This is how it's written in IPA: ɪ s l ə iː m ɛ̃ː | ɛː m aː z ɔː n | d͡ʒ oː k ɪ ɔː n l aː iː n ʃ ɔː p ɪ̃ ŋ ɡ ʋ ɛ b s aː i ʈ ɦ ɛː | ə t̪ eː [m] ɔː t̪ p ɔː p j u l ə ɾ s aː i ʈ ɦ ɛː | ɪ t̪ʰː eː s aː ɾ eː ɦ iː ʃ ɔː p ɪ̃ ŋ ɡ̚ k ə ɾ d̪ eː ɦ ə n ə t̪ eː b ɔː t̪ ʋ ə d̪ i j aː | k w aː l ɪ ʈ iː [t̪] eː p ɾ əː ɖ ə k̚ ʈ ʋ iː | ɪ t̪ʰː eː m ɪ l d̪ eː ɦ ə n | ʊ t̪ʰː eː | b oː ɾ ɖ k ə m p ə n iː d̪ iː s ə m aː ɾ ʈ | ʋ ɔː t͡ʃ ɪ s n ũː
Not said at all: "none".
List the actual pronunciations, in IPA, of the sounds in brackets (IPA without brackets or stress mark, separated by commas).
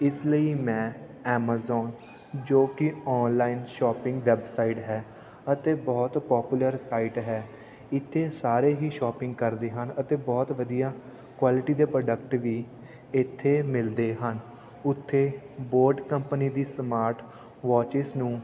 b, d̪